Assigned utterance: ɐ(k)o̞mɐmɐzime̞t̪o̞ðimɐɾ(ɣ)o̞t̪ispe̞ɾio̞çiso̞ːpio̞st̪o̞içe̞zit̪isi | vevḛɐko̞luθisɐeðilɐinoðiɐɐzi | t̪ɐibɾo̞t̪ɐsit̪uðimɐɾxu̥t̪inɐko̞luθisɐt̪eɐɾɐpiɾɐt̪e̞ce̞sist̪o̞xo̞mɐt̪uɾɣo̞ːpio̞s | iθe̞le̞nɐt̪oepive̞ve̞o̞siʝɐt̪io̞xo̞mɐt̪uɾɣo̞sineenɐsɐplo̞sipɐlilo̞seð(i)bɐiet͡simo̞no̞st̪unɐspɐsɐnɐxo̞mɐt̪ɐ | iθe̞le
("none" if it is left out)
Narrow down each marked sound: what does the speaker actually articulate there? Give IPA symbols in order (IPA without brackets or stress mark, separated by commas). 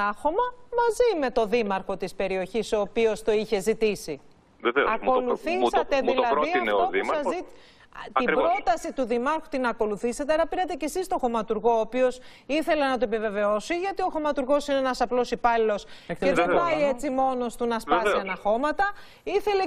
x, x, e